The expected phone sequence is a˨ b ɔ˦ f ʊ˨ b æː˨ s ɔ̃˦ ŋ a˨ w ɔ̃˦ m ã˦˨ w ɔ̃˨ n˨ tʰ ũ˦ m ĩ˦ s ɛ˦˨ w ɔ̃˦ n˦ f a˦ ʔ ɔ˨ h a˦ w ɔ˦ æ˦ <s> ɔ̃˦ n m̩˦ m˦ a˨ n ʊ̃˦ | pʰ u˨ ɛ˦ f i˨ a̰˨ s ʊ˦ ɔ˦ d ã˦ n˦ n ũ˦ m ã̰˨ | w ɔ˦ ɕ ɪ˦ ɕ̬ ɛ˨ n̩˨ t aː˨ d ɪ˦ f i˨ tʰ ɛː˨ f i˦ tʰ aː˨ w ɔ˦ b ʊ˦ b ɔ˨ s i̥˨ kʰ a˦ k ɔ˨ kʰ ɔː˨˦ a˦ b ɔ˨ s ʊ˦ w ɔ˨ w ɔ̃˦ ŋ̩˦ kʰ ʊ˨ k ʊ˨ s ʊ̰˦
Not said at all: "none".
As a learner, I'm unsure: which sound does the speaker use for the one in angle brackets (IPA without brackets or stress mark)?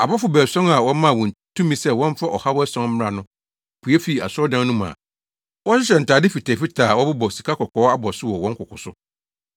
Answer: s